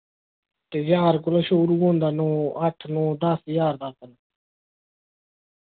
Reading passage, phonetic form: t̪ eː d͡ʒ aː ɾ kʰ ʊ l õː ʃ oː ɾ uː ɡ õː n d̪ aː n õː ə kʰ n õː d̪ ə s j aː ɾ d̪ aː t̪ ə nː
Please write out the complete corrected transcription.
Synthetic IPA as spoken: t̪ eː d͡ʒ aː ɾ k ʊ l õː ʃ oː ɾ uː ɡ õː n d̪ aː n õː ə ʈʰ n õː d̪ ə s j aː ɾ d̪ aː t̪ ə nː